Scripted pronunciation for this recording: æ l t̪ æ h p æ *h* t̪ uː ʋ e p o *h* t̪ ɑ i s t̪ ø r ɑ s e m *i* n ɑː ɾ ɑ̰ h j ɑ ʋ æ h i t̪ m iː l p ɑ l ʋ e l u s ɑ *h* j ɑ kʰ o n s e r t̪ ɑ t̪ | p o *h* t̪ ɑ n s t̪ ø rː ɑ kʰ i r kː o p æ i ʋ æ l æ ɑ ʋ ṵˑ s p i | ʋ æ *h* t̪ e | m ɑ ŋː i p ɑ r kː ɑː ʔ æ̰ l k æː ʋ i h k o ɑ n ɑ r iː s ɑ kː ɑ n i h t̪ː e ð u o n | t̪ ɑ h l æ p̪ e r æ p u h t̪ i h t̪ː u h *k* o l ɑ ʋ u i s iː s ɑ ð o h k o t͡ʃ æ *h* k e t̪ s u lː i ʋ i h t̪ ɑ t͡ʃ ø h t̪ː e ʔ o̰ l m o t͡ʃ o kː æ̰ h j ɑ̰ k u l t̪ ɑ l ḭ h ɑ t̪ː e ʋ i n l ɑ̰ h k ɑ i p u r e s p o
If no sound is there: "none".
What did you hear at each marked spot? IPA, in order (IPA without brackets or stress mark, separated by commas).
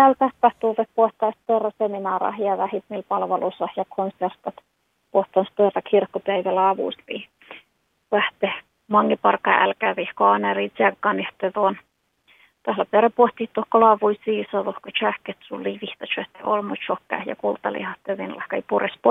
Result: h, h, i, h, h, h, k, h